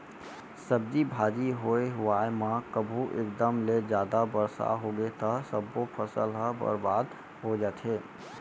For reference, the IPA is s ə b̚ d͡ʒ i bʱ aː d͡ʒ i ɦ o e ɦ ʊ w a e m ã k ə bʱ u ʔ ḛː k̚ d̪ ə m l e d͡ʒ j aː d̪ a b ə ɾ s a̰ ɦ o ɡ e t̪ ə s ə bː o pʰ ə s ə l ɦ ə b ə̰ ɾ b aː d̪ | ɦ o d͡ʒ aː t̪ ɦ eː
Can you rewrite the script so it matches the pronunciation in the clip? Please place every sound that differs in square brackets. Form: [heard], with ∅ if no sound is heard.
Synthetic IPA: s ə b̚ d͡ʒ i bʱ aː d͡ʒ i ɦ o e ɦ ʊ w a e m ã k ə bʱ u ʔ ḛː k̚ d̪ ə m l e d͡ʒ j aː d̪ a b ə ɾ s a̰ ɦ o ɡ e t̪ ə s ə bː o pʰ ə s ə l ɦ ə b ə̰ ɾ b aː d̪ | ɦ o d͡ʒ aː t̪ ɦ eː